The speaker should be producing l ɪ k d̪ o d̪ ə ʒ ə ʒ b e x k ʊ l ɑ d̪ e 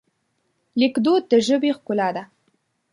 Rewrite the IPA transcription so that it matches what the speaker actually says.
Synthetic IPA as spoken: l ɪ k d̪ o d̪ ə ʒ ə b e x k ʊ l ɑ d̪ a